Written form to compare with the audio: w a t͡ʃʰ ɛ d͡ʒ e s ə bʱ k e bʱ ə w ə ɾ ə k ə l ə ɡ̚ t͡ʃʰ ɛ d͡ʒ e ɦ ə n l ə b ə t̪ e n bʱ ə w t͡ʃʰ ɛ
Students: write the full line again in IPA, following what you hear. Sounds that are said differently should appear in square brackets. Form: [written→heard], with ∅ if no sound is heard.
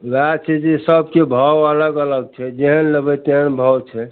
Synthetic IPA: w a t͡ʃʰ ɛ d͡ʒ e s ə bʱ k e bʱ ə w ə [ɾ→l] ə [k→ɡ] ə l ə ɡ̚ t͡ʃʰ ɛ d͡ʒ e ɦ ə n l ə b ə t̪ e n bʱ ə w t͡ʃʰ ɛ